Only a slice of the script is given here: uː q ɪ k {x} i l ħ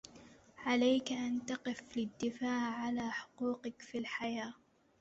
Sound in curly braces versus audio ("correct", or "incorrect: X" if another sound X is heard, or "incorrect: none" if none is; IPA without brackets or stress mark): incorrect: f